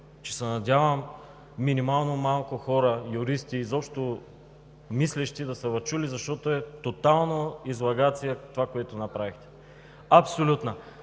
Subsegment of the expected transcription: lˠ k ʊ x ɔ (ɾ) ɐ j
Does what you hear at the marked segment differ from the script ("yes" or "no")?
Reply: no